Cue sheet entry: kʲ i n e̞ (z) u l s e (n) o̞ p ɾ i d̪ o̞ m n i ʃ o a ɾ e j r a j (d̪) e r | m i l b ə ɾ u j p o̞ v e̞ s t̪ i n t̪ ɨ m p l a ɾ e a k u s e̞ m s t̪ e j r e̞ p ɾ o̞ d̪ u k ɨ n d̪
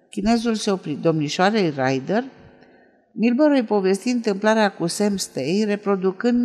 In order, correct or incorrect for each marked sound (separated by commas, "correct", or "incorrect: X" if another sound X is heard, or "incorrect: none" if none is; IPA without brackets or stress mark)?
correct, incorrect: none, correct